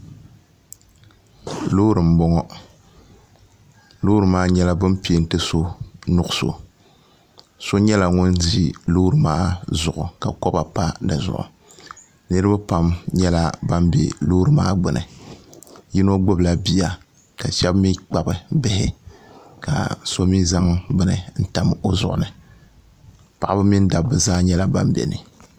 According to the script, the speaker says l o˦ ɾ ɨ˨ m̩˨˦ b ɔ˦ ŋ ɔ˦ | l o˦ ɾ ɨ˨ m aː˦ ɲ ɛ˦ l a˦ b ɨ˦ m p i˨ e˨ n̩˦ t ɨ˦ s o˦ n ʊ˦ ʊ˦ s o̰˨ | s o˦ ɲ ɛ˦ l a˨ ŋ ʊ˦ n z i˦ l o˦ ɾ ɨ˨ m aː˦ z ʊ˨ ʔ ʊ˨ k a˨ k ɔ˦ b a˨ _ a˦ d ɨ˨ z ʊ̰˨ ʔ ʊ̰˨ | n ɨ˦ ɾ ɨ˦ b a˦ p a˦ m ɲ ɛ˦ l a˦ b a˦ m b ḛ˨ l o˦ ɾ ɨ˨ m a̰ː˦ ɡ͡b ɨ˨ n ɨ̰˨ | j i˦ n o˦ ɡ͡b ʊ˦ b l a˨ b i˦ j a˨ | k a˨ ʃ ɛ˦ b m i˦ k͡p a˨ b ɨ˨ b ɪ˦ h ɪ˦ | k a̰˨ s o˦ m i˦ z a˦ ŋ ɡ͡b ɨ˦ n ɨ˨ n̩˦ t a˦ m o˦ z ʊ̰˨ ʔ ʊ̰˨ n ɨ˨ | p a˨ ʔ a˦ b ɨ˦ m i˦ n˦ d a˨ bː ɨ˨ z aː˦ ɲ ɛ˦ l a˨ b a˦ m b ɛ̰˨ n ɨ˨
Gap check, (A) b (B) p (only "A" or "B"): B